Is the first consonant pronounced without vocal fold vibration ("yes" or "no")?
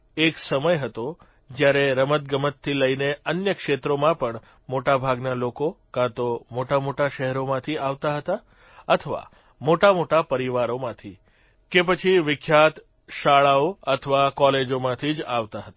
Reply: yes